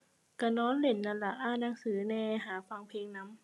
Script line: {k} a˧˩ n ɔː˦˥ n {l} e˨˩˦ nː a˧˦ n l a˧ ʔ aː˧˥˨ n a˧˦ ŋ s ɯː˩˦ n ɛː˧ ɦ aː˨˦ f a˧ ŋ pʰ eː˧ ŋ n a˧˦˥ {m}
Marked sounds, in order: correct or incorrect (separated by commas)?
correct, correct, correct